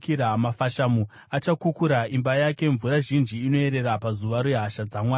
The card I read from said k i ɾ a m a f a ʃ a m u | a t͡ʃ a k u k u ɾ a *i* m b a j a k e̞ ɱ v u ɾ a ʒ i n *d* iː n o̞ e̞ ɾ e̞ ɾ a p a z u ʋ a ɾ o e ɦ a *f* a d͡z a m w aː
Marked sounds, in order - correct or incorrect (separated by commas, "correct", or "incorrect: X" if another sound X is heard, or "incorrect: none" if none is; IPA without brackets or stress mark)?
correct, incorrect: d͡ʒ, incorrect: ʃ